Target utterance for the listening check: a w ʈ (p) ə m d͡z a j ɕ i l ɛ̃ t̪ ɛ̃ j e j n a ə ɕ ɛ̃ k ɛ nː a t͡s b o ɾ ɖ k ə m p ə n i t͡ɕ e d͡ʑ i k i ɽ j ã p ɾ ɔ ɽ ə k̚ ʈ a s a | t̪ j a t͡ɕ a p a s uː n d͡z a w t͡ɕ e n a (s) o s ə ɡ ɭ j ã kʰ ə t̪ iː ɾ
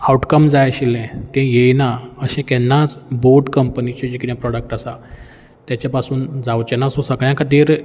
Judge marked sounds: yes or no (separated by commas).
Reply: no, yes